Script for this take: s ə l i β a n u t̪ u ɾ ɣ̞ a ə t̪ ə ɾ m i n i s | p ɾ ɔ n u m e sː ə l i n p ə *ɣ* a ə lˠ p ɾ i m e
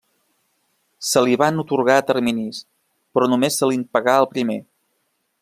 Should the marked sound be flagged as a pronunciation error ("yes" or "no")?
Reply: no